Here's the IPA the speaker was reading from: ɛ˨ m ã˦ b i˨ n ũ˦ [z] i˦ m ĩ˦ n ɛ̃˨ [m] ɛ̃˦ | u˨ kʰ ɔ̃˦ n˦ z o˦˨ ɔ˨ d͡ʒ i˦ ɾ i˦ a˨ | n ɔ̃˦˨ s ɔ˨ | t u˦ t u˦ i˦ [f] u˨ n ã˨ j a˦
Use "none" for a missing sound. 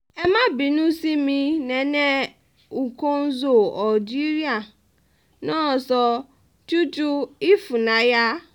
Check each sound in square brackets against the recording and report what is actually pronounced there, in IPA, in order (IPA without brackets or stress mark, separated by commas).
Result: s, n, f